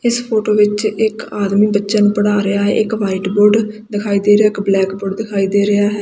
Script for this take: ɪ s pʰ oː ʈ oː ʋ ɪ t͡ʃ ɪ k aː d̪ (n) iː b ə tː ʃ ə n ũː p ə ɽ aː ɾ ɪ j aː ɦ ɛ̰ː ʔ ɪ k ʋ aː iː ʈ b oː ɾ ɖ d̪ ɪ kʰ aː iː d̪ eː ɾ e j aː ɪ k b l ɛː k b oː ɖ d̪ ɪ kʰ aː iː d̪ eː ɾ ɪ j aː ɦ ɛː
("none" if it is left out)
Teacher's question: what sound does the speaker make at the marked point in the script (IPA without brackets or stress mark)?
m